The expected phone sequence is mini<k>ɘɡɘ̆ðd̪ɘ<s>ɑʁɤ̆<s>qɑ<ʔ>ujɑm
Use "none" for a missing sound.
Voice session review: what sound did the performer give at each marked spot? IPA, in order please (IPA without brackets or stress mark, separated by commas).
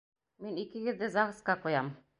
k, z, s, q